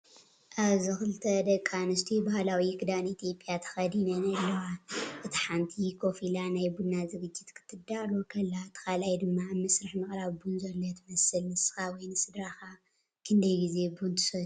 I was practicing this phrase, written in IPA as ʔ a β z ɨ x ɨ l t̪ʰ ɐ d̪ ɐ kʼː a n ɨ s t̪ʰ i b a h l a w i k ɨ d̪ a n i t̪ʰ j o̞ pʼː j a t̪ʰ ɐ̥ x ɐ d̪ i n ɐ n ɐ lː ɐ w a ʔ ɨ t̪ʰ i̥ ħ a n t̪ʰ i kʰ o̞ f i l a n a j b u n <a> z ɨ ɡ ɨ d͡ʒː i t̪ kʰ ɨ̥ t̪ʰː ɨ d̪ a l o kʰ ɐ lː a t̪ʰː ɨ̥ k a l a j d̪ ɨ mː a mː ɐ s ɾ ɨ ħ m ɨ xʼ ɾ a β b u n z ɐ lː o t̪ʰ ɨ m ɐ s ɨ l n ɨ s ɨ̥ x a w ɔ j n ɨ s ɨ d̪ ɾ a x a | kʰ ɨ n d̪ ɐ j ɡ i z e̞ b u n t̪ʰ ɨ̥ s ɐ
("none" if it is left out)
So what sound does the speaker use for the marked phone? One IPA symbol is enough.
a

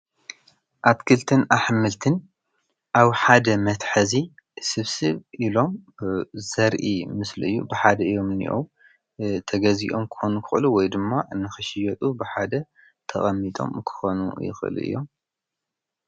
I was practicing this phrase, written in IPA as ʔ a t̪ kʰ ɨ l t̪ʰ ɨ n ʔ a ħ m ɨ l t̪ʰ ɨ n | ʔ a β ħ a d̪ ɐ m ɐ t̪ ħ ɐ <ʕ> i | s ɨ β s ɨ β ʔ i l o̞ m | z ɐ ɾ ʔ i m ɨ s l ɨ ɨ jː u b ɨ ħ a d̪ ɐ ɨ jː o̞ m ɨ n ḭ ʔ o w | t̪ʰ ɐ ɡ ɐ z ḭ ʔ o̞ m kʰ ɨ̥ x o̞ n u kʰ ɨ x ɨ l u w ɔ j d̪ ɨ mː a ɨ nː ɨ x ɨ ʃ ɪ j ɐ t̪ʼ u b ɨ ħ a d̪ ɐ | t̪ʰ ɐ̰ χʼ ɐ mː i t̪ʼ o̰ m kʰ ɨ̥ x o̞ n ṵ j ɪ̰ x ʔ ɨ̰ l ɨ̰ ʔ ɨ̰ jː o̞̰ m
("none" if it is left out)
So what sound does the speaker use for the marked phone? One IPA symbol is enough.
z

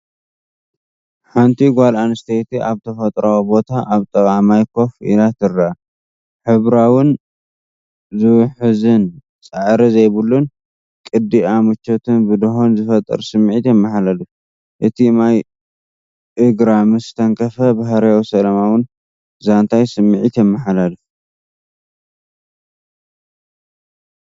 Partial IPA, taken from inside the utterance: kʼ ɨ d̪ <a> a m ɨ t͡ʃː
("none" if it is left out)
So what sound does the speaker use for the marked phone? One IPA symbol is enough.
i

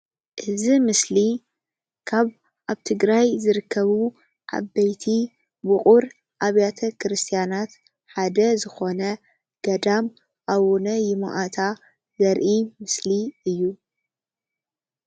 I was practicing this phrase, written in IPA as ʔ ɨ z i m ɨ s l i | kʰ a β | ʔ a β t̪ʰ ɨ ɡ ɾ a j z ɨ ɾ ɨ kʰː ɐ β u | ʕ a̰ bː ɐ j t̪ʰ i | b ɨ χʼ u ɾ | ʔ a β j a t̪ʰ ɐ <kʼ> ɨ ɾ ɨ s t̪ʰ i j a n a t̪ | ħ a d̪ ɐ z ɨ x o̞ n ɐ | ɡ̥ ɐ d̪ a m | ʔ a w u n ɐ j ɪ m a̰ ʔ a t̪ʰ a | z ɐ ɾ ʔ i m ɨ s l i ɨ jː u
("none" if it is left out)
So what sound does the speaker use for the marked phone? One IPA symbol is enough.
k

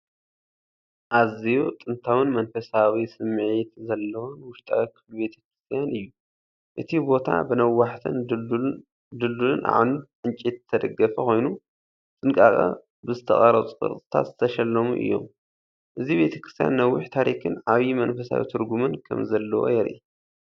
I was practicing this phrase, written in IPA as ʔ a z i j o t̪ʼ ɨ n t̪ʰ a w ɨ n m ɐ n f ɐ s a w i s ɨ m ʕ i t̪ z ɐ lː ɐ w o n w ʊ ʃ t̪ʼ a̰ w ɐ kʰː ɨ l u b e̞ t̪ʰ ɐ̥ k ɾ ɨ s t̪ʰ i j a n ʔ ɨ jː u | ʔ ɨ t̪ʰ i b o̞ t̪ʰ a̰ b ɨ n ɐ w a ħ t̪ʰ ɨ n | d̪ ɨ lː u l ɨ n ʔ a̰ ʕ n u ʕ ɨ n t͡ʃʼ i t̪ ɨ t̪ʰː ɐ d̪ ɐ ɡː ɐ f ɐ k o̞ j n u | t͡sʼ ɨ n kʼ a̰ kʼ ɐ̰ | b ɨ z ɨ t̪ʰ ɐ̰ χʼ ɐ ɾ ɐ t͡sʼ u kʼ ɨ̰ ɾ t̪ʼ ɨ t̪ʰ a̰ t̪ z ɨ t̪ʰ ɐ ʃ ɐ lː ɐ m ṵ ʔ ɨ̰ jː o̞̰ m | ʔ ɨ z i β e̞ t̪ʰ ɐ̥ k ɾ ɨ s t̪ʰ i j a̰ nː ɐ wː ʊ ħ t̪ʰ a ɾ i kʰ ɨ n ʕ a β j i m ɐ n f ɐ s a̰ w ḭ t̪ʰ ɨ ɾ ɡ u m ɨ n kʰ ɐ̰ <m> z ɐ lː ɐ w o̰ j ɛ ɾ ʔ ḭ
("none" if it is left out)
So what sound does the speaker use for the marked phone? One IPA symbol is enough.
m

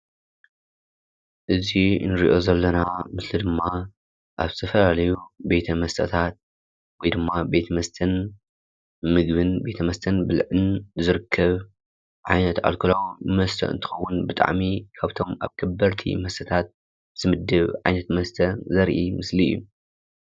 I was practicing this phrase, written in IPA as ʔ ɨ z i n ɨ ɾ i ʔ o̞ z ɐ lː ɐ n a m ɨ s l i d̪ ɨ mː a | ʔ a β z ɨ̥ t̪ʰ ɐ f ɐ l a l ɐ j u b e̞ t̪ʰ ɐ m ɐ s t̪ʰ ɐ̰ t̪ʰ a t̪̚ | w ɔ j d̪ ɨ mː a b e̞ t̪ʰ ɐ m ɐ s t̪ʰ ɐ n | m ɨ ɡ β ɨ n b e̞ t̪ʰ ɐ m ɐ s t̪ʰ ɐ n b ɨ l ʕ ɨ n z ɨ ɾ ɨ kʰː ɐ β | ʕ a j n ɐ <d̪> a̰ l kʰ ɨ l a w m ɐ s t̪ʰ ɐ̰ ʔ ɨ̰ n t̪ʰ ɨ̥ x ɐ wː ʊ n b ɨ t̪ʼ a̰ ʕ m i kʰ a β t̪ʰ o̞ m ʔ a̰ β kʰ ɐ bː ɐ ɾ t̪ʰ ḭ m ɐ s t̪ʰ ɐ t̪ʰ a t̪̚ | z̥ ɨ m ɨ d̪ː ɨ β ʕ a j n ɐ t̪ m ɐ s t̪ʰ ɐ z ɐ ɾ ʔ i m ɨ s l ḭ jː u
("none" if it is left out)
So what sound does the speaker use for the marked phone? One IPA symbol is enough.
t̪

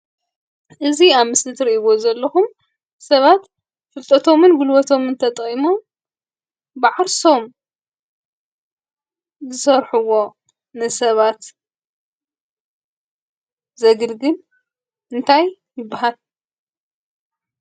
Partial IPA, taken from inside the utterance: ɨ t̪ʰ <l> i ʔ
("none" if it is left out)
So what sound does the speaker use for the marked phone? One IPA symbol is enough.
ɾ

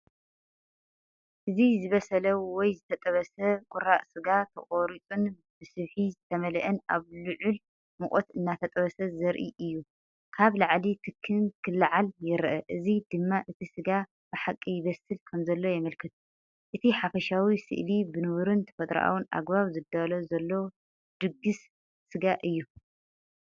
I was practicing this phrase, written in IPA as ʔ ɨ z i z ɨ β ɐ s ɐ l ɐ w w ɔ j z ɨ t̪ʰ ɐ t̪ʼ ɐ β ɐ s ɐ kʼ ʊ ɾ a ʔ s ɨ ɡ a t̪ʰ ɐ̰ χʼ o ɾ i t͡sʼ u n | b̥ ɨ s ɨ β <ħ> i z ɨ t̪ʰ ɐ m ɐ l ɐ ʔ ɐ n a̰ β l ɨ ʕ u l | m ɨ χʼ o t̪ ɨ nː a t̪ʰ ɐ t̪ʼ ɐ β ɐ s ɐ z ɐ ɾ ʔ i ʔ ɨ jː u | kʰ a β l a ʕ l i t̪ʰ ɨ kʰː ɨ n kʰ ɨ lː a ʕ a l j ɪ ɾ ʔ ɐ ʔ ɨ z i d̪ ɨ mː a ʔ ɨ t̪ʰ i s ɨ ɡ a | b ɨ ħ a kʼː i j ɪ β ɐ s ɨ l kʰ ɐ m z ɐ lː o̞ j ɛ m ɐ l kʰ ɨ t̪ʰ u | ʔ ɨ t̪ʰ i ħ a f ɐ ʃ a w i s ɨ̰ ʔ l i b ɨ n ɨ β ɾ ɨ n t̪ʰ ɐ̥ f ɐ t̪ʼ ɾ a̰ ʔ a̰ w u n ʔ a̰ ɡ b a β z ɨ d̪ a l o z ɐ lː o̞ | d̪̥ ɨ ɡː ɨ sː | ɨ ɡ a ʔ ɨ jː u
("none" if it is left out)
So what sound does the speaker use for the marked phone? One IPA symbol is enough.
ħ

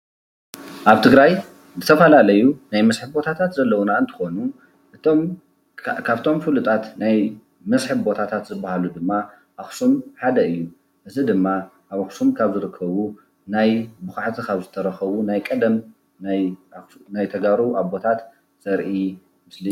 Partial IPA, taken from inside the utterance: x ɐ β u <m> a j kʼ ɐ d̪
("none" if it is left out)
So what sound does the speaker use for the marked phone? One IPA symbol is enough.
n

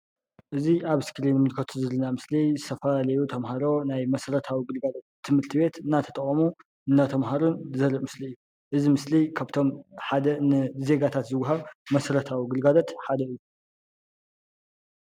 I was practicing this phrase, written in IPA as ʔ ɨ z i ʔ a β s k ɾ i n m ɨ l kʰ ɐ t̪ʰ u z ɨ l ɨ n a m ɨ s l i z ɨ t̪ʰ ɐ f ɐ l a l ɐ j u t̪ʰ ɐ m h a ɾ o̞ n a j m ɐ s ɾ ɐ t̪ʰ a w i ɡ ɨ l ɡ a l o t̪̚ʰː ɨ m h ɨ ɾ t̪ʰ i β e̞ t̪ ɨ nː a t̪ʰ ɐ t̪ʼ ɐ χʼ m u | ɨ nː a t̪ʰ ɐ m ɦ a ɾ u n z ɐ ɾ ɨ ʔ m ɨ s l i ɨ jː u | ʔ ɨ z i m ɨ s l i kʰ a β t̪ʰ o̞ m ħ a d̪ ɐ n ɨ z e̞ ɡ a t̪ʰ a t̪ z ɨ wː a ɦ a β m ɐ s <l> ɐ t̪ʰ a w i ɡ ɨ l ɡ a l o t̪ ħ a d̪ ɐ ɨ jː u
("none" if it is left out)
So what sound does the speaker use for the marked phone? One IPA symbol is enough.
ɾ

